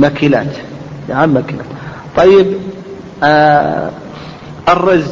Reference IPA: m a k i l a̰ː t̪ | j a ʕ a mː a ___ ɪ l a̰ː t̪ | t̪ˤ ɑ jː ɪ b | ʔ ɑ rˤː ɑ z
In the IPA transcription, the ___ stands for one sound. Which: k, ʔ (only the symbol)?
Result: k